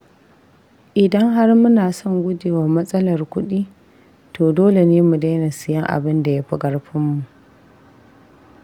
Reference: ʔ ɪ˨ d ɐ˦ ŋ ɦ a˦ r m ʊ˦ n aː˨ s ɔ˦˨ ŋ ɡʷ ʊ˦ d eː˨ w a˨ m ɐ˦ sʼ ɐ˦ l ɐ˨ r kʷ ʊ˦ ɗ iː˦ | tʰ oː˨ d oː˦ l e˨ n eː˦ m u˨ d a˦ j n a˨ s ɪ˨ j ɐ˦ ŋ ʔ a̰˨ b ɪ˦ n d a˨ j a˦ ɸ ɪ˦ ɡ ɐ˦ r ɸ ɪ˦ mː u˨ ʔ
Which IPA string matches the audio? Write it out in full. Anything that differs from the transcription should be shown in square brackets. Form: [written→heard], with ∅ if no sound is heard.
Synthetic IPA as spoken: ʔ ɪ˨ d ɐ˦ ŋ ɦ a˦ r m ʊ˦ n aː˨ s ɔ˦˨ ŋ ɡʷ ʊ˦ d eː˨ w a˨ m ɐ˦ sʼ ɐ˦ l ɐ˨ r kʷ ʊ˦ ɗ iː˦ | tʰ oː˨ d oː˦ l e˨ n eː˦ m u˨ d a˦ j n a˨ s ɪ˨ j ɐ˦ ŋ ʔ a̰˨ b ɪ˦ n d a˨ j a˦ ɸ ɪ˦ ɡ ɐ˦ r ɸ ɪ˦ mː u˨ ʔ